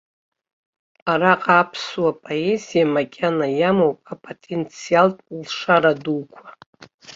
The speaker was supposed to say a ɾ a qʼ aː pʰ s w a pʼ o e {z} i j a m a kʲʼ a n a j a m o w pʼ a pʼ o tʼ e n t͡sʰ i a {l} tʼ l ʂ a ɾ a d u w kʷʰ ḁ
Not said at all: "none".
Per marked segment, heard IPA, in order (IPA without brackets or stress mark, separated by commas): z, l